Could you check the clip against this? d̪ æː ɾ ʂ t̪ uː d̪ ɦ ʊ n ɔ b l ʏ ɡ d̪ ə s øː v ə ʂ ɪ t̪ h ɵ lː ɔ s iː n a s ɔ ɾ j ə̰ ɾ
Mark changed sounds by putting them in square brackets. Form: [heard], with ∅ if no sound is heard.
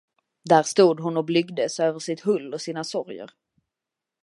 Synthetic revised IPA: d̪ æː ɾ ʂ t̪ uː d̪ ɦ ʊ n ɔ b l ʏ ɡ d̪ ə s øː v ə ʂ ɪ t̪ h ɵ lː ɔ s iː n a s ɔ ɾ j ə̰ ɾ